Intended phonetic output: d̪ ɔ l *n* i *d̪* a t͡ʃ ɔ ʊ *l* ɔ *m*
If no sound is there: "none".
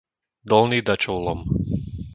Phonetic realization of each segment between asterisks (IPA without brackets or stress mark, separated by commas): n, d̪, l, m